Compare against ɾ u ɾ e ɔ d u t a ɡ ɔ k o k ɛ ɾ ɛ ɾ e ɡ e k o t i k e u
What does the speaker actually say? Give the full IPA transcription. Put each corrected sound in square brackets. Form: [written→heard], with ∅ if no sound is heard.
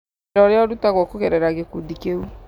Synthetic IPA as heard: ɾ [u→ɔ] ɾ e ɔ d u t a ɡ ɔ k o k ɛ ɾ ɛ ɾ [e→a] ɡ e k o [t→d] i k e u